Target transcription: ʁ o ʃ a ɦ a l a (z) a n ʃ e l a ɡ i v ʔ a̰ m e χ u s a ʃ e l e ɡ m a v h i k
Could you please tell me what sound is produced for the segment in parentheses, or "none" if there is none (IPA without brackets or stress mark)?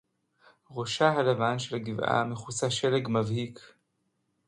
v